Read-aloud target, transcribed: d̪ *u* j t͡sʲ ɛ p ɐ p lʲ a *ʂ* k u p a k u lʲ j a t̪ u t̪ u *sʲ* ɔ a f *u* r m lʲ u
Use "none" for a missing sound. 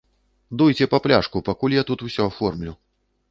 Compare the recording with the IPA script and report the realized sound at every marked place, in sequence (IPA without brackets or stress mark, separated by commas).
u, ʂ, sʲ, ɔ